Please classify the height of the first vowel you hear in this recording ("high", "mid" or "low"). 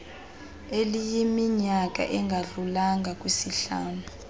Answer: mid